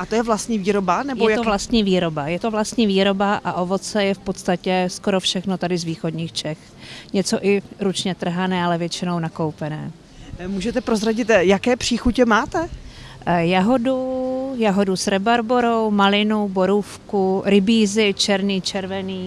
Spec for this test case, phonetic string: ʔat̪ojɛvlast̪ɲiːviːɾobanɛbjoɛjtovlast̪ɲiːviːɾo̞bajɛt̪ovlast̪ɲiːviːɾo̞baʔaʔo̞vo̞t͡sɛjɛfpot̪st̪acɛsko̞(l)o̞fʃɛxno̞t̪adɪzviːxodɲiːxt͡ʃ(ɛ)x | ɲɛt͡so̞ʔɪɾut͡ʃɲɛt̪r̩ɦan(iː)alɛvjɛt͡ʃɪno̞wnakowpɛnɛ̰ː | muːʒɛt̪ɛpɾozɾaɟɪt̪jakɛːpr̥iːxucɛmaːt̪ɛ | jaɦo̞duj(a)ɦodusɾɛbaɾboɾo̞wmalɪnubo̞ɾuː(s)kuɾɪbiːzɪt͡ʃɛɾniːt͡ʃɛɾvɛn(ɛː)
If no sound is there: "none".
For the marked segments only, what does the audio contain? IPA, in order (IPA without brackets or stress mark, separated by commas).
ɾ, ɛ, ɛː, a, f, iː